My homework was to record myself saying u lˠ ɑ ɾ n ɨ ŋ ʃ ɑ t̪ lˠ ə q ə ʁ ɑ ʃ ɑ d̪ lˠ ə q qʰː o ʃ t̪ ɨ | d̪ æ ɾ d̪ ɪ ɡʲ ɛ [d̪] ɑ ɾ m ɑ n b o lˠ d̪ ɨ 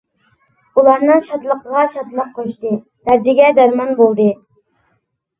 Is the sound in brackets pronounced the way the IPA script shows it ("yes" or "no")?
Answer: yes